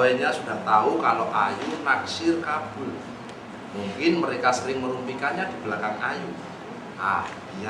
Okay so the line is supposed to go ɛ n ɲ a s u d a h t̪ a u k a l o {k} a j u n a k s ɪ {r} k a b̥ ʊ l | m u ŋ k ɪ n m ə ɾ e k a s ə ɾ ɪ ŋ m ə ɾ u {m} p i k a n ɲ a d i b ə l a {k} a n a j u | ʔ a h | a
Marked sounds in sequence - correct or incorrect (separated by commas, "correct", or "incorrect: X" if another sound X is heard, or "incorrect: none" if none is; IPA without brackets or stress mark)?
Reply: incorrect: ʔ, correct, correct, correct